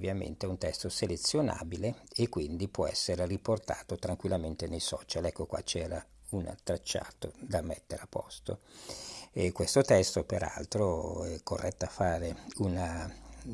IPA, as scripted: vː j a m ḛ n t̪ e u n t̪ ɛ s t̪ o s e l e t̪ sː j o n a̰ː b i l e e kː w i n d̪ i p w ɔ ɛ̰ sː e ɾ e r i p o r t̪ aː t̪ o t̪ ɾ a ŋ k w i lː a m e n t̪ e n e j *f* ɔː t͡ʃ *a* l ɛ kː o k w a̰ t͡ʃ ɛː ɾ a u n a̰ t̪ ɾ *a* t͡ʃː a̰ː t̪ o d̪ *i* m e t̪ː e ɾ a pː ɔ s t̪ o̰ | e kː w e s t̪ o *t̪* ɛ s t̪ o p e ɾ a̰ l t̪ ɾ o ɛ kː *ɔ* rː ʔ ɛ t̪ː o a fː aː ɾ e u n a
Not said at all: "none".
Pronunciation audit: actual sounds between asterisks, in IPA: s, a, a, a, t̪, o

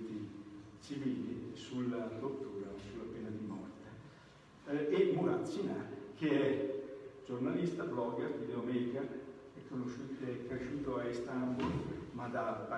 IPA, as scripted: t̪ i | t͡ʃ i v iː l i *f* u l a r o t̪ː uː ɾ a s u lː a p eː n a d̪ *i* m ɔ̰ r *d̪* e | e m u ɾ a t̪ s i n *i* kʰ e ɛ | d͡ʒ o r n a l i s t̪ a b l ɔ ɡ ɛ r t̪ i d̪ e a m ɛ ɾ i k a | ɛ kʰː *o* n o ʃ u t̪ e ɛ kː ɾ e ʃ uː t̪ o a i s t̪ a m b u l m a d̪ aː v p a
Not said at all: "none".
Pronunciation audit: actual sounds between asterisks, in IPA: s, i, t̪, a, o

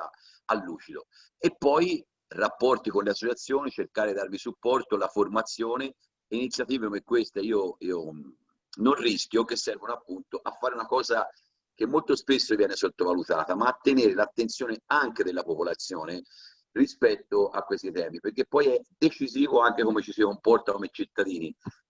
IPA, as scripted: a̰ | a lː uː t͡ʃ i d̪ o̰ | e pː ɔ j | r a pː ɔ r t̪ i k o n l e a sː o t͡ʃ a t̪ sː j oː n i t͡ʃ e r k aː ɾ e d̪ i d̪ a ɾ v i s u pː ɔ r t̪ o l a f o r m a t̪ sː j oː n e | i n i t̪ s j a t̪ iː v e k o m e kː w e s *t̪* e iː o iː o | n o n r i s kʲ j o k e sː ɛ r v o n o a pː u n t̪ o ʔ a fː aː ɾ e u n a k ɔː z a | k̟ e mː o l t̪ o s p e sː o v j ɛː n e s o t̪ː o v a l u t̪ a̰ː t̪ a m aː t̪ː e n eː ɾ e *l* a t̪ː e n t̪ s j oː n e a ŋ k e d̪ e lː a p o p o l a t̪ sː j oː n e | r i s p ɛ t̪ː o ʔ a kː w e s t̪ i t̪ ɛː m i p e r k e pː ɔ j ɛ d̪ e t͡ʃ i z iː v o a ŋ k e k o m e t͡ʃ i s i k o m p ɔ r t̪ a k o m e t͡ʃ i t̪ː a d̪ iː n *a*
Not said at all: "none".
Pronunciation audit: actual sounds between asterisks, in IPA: t̪, l, i

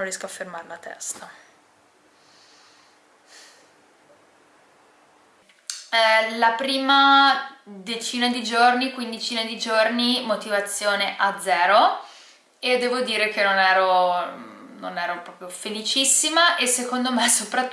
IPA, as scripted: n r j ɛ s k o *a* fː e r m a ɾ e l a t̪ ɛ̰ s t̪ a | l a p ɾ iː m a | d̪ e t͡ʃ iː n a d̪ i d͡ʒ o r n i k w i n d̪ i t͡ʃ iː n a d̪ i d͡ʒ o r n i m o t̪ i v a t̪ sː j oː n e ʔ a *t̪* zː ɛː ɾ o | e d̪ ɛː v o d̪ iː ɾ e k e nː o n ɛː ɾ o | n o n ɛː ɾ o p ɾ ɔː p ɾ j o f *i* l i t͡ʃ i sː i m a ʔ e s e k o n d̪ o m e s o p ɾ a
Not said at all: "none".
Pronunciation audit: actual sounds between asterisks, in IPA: a, d̪, e

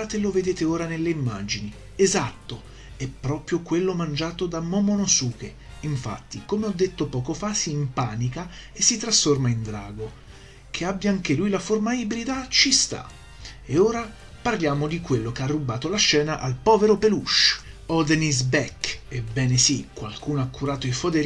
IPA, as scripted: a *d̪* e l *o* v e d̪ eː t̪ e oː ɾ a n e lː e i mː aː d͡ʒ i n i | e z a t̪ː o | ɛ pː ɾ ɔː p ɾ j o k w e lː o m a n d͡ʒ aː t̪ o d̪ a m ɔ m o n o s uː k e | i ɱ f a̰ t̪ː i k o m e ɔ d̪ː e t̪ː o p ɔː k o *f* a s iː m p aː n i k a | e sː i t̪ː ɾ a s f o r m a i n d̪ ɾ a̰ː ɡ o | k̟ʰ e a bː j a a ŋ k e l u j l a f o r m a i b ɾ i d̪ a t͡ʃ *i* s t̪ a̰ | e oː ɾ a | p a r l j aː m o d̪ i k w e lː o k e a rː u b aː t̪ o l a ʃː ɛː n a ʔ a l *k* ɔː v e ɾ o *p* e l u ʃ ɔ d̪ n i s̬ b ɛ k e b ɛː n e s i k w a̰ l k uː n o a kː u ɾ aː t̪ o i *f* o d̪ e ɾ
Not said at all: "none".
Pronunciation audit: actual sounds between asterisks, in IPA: t̪, o, f, i, p, p, f

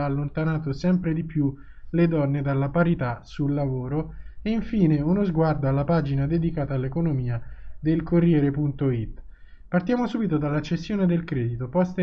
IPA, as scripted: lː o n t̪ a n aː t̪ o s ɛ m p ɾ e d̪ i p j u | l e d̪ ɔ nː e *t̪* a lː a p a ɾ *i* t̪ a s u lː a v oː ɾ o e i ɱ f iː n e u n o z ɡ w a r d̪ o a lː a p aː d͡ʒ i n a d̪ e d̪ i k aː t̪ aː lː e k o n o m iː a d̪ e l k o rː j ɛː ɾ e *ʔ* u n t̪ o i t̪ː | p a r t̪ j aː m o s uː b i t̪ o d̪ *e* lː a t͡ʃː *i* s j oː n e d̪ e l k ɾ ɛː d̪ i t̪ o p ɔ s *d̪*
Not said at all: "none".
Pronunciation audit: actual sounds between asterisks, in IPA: d̪, i, p, a, e, t̪

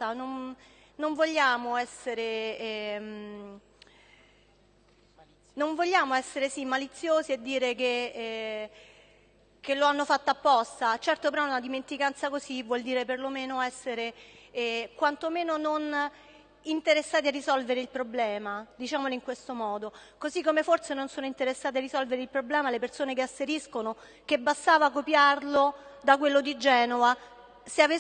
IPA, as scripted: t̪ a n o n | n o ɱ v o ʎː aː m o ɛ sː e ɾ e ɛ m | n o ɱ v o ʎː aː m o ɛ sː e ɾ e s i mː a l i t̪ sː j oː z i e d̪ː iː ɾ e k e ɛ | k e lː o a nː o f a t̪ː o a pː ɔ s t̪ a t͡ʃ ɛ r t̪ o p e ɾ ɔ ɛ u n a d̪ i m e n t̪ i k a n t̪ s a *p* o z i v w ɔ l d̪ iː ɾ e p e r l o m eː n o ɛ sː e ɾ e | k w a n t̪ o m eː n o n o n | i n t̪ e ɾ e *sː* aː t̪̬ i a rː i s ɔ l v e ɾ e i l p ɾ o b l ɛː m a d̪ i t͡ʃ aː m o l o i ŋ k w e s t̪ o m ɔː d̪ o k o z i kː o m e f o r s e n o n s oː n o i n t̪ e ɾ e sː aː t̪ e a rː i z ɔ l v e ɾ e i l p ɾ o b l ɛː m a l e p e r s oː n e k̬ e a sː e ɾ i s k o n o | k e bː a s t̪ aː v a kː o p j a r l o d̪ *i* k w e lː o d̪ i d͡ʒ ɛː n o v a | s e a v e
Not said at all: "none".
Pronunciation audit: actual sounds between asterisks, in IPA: k, sː, a

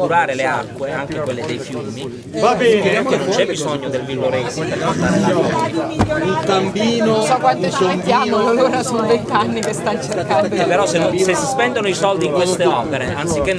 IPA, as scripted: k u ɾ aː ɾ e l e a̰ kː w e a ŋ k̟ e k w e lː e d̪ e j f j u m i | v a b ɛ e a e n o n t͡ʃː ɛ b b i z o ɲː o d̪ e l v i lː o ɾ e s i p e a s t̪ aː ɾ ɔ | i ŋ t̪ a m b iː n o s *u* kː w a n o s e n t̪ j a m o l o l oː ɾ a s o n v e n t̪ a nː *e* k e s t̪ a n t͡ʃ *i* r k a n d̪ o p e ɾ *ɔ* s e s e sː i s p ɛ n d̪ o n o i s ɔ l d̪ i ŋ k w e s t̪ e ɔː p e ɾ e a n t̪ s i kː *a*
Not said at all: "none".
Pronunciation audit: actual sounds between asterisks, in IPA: ɔ, i, e, ɔ, e

